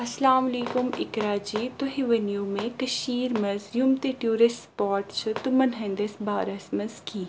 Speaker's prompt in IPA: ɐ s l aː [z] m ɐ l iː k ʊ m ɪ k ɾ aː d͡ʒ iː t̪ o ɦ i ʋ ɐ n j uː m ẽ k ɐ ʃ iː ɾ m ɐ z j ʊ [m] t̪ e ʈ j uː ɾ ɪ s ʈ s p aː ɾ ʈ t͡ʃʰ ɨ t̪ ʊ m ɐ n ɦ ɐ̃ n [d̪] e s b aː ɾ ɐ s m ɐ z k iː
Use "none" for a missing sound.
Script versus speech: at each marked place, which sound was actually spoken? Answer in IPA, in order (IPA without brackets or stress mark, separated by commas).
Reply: none, m, d̪